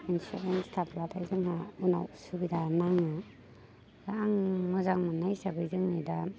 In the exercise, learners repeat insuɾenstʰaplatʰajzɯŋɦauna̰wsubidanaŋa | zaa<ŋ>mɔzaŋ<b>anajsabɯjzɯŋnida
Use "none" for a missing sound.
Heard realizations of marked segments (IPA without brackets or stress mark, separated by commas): ŋ, m